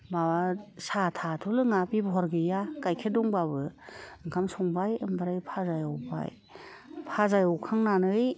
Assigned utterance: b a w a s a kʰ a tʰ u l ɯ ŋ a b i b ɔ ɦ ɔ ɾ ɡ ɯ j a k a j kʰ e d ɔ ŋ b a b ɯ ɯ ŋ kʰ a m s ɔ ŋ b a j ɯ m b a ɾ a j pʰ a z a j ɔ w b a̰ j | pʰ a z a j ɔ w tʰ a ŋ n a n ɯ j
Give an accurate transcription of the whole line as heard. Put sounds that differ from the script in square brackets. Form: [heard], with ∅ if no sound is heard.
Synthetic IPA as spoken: b a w a s a [tʰ] a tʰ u l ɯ ŋ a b i b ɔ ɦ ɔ ɾ ɡ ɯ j a k a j kʰ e d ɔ ŋ b a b ɯ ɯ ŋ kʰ a m s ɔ ŋ b a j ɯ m b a ɾ a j pʰ a z a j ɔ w b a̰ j | pʰ a z a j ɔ w [kʰ] a ŋ n a n ɯ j

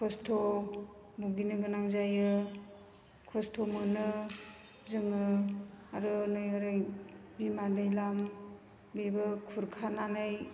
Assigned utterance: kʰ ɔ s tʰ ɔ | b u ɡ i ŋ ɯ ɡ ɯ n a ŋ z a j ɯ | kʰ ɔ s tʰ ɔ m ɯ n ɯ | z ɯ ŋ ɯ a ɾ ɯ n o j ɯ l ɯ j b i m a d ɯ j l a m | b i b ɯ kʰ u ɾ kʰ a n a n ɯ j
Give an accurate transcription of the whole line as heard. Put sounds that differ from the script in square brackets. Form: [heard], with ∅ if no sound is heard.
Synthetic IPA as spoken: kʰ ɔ s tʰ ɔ | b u ɡ i [n] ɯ ɡ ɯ n a ŋ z a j ɯ | kʰ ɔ s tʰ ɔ m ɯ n ɯ | z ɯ ŋ ɯ a ɾ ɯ n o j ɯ [ɾ] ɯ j b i m a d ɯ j l a m | b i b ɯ kʰ u ɾ kʰ a n a n ɯ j

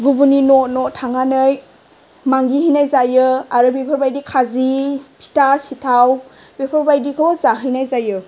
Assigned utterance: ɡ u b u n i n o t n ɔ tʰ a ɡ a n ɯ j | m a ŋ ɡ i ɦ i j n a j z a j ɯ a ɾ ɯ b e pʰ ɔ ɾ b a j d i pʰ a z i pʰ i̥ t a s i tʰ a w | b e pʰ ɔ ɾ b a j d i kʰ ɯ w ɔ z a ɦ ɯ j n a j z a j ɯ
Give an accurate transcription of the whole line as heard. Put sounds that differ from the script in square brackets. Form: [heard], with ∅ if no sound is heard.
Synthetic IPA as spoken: ɡ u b u n i n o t n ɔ tʰ a [ŋ] a n ɯ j | m a ŋ ɡ i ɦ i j n a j z a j ɯ a ɾ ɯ b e pʰ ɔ ɾ b a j d i [kʰ] a z i pʰ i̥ t a s i tʰ a w | b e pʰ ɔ ɾ b a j d i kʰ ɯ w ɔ z a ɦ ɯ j n a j z a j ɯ

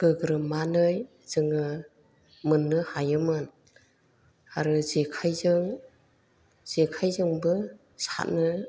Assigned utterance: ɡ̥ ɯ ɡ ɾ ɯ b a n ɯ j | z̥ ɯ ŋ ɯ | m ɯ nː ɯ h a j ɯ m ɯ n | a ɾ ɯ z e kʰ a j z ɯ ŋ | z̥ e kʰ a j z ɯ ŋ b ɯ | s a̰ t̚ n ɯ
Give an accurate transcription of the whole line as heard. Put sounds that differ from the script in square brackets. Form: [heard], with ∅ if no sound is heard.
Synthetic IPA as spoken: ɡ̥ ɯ ɡ ɾ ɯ [m] a n ɯ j | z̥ ɯ ŋ ɯ | m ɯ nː ɯ h a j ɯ m ɯ n | a ɾ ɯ z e kʰ a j z ɯ ŋ | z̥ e kʰ a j z ɯ ŋ b ɯ | s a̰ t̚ n ɯ

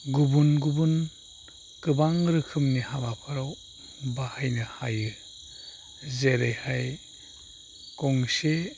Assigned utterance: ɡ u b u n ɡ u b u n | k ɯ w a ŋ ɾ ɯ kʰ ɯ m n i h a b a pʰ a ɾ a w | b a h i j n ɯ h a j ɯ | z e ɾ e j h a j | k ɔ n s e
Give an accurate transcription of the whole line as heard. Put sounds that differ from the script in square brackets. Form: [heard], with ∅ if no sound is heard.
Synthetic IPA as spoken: ɡ u b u n ɡ u b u n | k ɯ [b] a ŋ ɾ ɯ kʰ ɯ m n i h a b a pʰ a ɾ a w | b a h [a] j n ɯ h a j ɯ | z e ɾ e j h a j | k ɔ [ŋ] s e

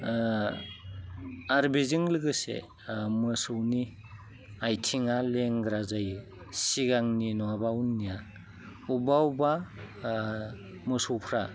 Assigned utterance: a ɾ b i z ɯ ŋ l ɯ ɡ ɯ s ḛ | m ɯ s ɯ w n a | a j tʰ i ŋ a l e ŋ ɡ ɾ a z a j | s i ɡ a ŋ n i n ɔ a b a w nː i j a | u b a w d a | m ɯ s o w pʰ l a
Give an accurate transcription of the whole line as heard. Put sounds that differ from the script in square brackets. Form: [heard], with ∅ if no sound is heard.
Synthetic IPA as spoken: a ɾ b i z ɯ ŋ l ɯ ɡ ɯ s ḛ | m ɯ s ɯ w n [i] | a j tʰ i ŋ a l e ŋ ɡ ɾ a z a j | s i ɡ a ŋ n i n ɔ a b a w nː i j a | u b a w [b] a | m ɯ s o w pʰ [ɾ] a

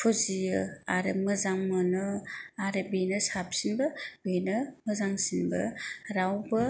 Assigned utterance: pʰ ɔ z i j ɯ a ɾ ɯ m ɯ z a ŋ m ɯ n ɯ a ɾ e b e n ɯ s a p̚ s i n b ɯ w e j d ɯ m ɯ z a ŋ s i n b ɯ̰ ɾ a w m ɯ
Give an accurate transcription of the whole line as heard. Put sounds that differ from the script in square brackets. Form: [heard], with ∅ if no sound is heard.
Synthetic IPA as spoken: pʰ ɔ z i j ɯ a ɾ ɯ m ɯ z a ŋ m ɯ n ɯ a ɾ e b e n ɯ s a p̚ s i n b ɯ [b] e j [n] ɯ m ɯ z a ŋ s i n b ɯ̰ ɾ a w [b] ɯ

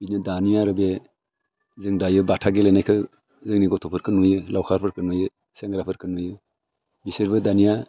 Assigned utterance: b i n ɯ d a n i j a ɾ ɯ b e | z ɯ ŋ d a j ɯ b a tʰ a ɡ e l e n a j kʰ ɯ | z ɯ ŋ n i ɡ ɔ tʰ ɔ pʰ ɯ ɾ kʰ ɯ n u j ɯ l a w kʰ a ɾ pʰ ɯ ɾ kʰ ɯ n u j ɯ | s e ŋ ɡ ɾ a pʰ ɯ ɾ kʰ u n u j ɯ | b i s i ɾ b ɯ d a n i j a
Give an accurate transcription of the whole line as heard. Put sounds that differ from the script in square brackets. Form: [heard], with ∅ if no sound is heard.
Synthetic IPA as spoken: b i n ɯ d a n i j a ɾ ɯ b e | z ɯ ŋ d a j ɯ b a tʰ a ɡ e l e n a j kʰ ɯ | z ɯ ŋ n i ɡ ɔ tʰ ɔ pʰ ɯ ɾ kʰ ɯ n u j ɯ l a w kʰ a ɾ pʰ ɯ ɾ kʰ ɯ n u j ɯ | s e ŋ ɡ ɾ a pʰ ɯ ɾ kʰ [ɯ] n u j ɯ | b i s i ɾ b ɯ d a n i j a

